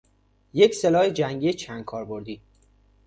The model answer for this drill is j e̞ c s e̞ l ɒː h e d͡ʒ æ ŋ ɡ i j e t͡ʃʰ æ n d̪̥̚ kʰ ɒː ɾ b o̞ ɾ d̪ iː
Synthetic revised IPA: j e̞ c s e̞ l ɒː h e d͡ʒ æ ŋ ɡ i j e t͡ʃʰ æ n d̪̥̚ kʰ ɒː ɾ b o̞ ɾ d̪ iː